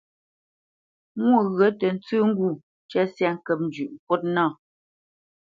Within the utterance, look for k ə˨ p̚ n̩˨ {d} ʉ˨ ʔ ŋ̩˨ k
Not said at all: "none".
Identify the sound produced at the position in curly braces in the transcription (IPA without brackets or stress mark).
d͡ʒ